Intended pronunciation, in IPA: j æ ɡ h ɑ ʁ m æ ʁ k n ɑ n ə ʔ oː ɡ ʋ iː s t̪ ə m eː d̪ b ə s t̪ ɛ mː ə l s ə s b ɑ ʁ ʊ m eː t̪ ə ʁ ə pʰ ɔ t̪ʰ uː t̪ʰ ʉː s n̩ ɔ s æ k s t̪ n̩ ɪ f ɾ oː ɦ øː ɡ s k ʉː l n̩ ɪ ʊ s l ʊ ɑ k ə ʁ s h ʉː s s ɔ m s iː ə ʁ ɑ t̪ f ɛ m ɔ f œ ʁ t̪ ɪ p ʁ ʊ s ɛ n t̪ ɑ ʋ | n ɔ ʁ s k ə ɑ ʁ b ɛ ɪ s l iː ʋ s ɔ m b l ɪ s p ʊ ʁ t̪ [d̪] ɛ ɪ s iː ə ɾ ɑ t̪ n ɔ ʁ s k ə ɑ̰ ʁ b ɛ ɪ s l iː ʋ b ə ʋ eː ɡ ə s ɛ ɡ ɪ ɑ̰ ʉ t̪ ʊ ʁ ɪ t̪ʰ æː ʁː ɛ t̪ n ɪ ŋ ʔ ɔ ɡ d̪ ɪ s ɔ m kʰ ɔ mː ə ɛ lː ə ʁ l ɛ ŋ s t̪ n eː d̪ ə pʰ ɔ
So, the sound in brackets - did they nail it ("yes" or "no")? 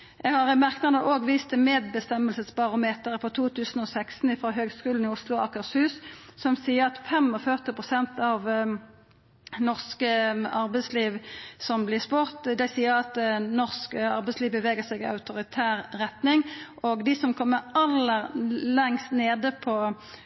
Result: yes